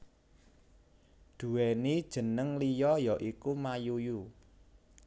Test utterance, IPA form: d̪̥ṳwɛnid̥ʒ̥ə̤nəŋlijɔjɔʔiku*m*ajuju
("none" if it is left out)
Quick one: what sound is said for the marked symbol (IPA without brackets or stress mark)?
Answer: m